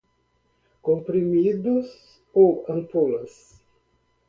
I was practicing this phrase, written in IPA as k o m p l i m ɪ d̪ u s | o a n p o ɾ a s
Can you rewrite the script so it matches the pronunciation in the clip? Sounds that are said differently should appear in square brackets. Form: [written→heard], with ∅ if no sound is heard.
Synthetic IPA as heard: k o m p [l→ɾ] i m [ɪ→i] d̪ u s | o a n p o [ɾ→l] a s